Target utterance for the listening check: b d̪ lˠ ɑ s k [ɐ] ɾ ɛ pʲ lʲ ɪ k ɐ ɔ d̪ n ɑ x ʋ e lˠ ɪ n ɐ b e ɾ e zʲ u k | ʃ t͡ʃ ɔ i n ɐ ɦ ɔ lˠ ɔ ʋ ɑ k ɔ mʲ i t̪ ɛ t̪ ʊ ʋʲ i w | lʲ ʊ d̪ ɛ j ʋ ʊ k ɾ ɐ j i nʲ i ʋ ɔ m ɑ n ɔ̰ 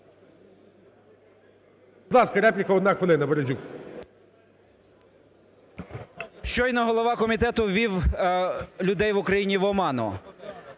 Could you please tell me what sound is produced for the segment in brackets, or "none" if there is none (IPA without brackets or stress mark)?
ɐ